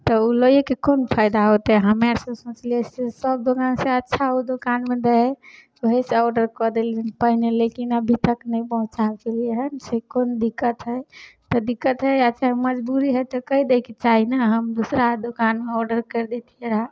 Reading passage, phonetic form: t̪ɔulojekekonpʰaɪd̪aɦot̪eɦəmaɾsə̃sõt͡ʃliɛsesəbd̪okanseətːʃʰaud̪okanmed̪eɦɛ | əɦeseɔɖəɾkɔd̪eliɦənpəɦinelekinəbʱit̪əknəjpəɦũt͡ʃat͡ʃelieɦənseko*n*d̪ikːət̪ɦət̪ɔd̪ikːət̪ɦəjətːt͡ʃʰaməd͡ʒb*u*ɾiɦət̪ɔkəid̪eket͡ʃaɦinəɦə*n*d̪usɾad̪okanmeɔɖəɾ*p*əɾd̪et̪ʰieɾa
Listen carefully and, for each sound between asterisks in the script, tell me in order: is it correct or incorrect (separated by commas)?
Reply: correct, correct, incorrect, incorrect